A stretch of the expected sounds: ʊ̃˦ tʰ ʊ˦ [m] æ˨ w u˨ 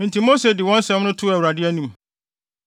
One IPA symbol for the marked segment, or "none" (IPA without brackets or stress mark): none